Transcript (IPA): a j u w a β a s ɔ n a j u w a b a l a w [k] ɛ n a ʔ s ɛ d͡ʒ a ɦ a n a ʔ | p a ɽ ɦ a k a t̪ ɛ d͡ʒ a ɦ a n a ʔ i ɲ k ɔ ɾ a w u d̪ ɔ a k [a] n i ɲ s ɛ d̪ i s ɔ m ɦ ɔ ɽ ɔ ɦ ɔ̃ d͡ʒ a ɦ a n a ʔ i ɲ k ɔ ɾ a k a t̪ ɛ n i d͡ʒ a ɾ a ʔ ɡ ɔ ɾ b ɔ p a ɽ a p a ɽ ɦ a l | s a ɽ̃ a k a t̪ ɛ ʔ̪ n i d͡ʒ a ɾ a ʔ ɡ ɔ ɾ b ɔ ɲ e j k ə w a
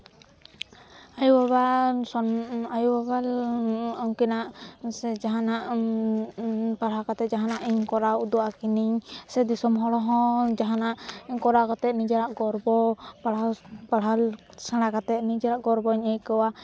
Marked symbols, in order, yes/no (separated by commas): yes, no